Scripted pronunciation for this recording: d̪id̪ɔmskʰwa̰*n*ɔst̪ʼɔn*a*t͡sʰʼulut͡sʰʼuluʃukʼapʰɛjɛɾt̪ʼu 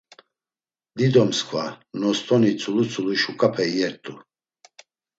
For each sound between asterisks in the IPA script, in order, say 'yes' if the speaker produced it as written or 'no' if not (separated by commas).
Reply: yes, no